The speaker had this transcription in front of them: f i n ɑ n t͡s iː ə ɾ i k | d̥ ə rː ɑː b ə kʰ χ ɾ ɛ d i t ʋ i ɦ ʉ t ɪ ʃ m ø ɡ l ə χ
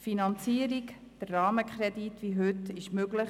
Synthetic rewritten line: f i n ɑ n t͡s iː ə ɾ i k | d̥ ə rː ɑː m ə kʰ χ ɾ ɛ d i t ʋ i ɦ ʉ t ɪ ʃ m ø ɡ l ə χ